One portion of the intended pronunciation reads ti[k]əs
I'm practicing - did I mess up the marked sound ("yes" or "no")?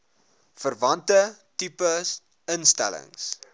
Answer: yes